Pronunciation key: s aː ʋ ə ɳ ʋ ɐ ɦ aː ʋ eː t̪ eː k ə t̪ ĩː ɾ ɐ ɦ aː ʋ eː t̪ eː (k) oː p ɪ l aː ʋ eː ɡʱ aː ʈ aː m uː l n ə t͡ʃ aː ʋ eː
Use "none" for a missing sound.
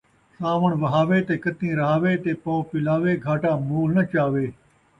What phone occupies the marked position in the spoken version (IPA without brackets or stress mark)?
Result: p